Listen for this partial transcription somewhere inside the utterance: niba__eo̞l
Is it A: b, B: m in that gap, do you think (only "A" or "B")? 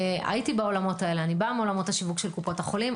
B